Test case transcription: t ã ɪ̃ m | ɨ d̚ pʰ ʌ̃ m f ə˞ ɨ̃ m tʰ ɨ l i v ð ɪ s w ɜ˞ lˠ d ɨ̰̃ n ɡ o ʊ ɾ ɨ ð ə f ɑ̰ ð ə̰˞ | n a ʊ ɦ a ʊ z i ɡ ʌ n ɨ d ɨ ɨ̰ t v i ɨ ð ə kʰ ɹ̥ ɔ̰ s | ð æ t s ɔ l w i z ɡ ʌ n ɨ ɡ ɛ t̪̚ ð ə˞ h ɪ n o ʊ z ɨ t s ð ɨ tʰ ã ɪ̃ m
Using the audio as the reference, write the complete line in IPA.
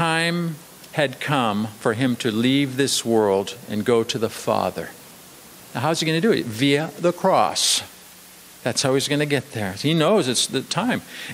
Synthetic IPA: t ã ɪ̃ m | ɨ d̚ kʰ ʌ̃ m f ə˞ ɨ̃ m tʰ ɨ l i v ð ɪ s w ɜ˞ lˠ d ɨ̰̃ n ɡ o ʊ ɾ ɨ ð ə f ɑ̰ ð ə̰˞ | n a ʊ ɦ a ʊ z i ɡ ʌ n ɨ d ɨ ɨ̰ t v i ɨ ð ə kʰ ɹ̥ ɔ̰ s | ð æ t s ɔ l w i z ɡ ʌ n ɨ ɡ ɛ t̪̚ ð ə˞ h i n o ʊ z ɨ t s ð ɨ tʰ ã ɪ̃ m